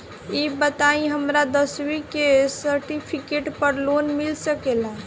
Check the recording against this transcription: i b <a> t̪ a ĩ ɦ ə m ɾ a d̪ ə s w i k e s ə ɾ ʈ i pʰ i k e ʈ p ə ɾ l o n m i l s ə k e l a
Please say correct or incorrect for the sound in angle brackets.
incorrect: ə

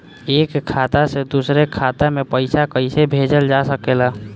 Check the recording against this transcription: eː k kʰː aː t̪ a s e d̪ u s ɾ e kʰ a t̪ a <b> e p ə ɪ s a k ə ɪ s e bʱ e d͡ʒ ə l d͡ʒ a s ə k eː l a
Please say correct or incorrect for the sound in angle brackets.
incorrect: m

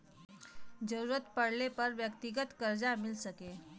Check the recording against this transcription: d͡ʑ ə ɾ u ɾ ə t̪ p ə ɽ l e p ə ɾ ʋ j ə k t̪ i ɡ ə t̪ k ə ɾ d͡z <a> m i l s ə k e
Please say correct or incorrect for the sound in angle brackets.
correct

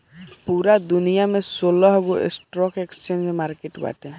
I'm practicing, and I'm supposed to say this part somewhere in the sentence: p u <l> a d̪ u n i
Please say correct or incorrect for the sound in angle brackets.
incorrect: ɾ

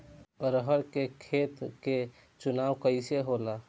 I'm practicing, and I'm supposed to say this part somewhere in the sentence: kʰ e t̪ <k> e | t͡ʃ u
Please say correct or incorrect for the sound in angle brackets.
correct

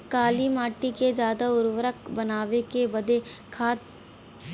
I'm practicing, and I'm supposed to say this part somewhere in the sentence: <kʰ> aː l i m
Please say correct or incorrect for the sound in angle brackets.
incorrect: k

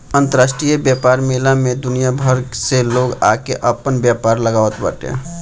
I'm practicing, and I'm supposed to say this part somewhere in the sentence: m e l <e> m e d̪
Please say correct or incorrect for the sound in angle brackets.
incorrect: a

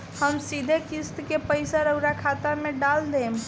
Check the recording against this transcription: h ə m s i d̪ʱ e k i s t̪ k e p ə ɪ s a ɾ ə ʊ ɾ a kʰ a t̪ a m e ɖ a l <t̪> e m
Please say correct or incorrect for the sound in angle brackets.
incorrect: d̪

